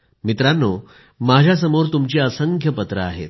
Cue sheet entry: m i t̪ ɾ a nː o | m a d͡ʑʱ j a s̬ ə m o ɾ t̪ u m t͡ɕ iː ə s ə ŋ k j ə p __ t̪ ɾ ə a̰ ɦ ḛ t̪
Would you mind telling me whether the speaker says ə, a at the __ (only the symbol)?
ə